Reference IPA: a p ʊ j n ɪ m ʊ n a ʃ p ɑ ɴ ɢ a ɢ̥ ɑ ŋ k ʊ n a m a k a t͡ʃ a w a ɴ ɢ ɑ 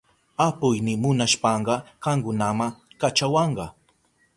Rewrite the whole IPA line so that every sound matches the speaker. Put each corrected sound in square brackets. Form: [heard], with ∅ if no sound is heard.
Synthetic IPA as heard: a p ʊ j n ɪ m ʊ n a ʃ p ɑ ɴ ɢ [ɑ] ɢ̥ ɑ ŋ k ʊ n a m a k a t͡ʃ a w [ɑ] ɴ ɢ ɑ